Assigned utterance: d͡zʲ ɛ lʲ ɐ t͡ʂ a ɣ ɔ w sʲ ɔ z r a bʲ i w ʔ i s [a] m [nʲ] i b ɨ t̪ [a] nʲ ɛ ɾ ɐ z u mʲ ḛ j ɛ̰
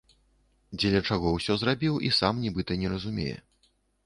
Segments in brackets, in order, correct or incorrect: correct, correct, incorrect

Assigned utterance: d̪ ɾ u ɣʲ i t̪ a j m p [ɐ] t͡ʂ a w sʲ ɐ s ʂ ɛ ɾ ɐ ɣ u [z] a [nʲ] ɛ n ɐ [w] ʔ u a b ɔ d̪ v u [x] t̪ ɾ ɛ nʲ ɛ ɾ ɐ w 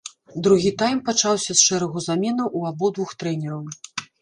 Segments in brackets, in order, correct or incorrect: incorrect, correct, incorrect, correct, correct

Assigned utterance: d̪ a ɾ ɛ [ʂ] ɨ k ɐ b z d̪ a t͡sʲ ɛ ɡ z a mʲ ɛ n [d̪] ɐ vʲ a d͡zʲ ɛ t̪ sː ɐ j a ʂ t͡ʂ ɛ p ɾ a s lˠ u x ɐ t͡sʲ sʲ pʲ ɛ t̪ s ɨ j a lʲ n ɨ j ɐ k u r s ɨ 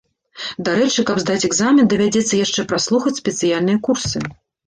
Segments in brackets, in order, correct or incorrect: incorrect, correct

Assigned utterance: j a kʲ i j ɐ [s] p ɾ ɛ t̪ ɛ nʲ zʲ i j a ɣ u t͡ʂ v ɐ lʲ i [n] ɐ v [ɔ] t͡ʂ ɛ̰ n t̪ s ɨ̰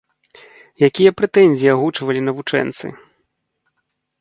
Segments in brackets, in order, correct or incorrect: incorrect, correct, incorrect

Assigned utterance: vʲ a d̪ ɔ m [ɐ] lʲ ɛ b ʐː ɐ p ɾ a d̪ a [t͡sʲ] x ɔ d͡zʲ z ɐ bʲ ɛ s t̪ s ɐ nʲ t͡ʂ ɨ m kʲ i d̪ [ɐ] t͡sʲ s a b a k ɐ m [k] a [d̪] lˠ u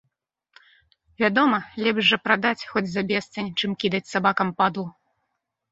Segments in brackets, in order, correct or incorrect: correct, correct, correct, incorrect, correct

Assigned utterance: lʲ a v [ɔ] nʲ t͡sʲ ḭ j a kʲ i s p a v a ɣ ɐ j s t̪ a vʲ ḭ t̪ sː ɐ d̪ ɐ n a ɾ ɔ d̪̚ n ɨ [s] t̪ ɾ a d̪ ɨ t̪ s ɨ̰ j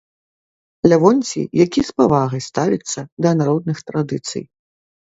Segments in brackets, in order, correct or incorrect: correct, incorrect

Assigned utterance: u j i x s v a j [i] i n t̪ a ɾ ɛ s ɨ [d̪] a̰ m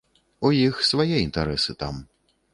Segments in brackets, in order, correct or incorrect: incorrect, incorrect

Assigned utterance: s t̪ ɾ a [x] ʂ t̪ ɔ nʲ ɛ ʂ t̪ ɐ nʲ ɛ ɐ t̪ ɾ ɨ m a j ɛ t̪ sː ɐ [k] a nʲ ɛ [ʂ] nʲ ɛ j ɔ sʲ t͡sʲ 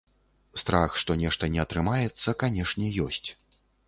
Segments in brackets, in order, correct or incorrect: correct, correct, correct

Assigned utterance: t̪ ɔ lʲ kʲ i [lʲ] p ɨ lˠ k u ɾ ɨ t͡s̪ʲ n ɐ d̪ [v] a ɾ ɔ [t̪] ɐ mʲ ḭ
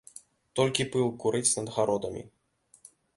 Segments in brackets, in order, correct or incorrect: incorrect, incorrect, incorrect

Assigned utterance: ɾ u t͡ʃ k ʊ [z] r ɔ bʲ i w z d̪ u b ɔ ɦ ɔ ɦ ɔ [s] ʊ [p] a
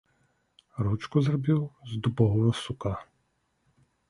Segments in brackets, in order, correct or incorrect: correct, correct, incorrect

